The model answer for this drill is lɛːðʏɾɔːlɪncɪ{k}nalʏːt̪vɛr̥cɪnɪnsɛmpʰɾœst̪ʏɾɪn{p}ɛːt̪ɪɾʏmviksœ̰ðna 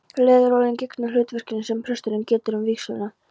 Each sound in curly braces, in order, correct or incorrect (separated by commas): correct, incorrect